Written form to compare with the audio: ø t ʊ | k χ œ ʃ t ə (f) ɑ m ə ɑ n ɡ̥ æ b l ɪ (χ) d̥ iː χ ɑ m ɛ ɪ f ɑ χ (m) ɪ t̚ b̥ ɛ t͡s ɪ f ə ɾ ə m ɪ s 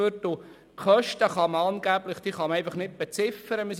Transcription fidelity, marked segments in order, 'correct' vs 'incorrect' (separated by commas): incorrect, correct, incorrect